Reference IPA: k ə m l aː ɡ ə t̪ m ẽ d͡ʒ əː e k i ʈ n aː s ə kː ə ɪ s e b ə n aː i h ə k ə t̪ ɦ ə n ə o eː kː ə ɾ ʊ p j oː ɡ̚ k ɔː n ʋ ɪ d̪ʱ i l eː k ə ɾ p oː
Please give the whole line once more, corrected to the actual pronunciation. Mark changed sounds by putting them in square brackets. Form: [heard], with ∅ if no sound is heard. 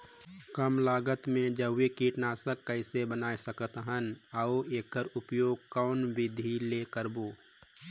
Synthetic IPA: k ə m l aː ɡ ə t̪ m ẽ d͡ʒ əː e k i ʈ n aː s ə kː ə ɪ s e b ə n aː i [s] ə k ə t̪ ɦ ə n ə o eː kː ə ɾ ʊ p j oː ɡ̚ k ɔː n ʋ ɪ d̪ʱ i l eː k ə ɾ [b] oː